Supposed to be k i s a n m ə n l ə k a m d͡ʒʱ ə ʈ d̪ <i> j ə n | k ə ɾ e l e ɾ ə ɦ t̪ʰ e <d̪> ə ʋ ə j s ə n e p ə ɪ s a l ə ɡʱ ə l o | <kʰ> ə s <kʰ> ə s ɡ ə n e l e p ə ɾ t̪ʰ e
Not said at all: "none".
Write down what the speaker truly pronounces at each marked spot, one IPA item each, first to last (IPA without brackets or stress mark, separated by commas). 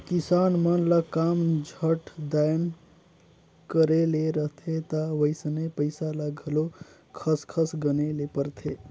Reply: a, t̪, kʰ, kʰ